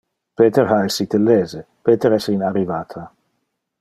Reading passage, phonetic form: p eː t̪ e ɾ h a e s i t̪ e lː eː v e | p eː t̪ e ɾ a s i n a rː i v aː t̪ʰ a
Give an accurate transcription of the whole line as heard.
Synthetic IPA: p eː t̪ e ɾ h a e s i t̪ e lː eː z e | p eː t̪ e ɾ ɛ s i n a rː i v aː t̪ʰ a